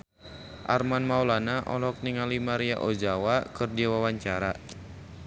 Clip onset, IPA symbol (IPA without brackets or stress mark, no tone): ʔ